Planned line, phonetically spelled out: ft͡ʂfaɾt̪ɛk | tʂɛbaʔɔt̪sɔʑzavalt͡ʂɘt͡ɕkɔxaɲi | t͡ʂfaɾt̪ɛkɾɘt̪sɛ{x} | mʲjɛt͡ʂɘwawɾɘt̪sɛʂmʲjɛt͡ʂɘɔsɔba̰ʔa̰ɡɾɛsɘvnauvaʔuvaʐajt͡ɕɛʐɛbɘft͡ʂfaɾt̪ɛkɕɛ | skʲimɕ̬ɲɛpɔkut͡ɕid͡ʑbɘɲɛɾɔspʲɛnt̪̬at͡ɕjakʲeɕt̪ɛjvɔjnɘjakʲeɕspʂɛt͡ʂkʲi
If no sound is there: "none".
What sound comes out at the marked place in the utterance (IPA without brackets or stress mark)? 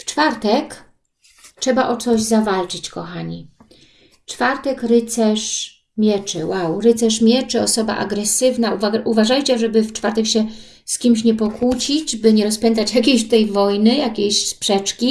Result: ʂ